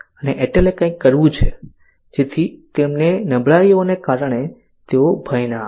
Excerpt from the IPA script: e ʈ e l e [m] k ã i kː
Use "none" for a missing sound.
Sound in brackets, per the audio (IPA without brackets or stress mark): none